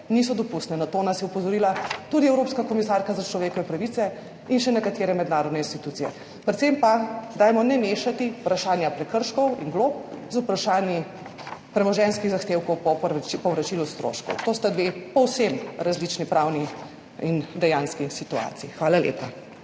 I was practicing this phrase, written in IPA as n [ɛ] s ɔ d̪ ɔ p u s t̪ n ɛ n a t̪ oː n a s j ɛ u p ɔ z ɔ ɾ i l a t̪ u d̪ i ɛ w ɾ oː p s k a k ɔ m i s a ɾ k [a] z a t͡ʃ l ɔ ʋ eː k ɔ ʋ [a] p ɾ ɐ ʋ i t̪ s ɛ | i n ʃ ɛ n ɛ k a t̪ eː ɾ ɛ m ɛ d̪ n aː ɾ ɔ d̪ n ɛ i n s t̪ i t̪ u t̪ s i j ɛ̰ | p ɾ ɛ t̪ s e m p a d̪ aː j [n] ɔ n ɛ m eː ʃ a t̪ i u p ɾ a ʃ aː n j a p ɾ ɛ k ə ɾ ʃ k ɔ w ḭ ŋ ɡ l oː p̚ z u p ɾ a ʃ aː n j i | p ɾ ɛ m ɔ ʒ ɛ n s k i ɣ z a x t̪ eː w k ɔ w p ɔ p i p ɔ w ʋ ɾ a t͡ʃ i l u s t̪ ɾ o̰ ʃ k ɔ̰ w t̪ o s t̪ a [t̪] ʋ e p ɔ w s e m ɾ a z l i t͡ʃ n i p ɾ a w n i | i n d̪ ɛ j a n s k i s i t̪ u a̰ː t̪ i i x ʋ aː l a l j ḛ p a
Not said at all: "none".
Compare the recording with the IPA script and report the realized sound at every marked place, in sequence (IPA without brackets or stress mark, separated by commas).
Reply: i, a, ɛ, m, d̪